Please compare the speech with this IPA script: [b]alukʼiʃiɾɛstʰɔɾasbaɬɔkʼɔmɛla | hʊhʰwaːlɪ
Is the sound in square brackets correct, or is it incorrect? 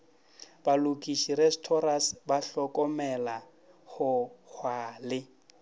correct